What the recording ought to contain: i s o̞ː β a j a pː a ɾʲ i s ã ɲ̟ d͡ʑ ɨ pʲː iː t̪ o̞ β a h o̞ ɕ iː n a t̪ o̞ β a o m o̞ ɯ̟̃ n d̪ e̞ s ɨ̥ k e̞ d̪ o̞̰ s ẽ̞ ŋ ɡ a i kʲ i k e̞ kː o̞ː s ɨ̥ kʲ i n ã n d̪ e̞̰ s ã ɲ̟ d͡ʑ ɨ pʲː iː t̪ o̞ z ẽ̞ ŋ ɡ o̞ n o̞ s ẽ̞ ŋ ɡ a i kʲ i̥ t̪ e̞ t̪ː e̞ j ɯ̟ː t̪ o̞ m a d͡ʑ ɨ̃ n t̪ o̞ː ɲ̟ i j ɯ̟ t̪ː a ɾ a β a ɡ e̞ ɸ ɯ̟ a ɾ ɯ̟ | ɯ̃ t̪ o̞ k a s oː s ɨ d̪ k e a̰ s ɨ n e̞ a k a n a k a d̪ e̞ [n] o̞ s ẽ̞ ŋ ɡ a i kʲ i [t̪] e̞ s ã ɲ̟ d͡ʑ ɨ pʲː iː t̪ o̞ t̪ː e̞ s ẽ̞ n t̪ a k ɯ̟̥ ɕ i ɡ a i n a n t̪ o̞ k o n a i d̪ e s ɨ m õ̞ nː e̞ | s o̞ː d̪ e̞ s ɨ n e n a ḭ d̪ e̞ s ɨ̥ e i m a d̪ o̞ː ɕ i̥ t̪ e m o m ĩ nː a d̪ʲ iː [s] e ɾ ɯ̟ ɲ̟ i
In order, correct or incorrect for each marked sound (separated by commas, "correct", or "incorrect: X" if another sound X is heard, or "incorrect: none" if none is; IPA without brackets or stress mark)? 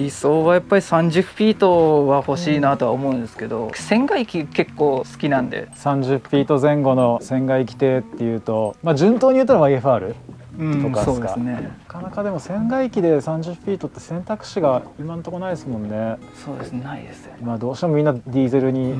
incorrect: m, incorrect: d̪, incorrect: z